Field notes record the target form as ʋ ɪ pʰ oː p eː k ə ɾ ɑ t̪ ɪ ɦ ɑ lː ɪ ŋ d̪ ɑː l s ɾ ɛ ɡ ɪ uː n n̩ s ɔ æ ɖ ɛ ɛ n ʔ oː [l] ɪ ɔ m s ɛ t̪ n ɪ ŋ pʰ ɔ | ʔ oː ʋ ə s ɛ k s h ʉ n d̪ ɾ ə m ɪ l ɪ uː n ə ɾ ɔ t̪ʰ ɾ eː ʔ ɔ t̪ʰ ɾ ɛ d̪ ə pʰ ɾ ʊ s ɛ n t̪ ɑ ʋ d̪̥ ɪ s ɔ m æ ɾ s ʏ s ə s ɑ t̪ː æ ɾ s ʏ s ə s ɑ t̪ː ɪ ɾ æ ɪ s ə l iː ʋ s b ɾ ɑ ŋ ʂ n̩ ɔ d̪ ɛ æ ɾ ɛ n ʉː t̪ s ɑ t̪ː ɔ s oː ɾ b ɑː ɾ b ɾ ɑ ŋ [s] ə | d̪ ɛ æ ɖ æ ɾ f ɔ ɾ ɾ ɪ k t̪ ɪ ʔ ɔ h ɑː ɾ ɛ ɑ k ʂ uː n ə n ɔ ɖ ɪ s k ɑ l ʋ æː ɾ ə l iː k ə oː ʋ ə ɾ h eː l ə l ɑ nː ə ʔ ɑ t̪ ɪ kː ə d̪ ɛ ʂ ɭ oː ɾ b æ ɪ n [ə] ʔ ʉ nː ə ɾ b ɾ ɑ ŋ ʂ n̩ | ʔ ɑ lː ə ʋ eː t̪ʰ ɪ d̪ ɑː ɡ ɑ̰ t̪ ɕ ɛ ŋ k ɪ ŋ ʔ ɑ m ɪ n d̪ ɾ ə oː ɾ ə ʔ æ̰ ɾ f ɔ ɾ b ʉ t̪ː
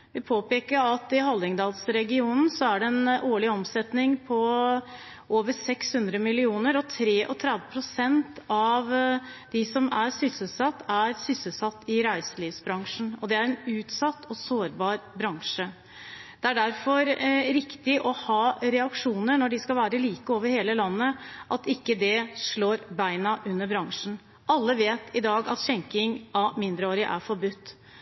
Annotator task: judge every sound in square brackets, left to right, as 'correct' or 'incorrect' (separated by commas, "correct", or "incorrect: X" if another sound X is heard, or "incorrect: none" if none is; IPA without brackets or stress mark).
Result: incorrect: ɭ, incorrect: ʂ, incorrect: ɑ